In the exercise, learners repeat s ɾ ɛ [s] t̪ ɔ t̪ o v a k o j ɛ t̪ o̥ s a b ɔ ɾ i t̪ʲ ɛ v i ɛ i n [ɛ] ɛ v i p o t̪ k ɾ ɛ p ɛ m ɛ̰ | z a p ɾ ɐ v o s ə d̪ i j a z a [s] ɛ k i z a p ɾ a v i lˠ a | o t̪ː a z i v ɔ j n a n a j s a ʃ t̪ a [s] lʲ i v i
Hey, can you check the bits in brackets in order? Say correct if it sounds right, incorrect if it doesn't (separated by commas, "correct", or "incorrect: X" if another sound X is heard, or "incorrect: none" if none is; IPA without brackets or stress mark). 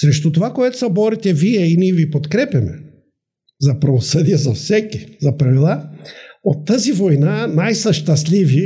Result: incorrect: ʃ, incorrect: i, correct, correct